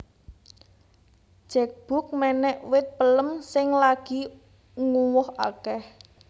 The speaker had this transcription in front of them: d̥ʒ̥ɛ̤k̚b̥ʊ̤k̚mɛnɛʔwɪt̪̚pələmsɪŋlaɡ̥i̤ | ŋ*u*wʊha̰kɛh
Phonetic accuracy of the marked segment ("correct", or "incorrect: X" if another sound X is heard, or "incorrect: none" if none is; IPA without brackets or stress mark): correct